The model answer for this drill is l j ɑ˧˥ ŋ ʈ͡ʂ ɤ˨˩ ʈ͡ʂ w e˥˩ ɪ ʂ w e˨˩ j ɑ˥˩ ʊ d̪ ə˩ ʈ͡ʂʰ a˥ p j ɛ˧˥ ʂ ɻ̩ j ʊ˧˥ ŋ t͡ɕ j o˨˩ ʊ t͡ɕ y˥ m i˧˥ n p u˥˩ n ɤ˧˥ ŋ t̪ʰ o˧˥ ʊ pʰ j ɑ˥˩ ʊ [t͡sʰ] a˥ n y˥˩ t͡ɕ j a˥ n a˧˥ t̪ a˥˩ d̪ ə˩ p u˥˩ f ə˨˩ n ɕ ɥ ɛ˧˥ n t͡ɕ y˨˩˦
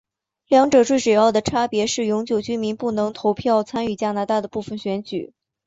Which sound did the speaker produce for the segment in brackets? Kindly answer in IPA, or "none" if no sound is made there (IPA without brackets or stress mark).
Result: t͡sʰ